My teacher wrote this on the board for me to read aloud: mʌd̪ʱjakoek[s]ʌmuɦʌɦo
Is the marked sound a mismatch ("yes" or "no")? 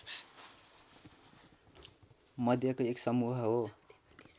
no